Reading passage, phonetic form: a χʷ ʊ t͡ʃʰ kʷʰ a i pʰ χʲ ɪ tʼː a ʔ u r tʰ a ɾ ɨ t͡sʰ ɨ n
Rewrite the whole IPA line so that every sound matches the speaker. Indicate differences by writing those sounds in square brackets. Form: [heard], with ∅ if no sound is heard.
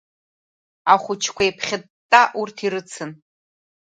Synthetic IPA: a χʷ ʊ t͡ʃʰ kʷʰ a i pʰ χʲ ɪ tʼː a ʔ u r tʰ [i] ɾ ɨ t͡sʰ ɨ n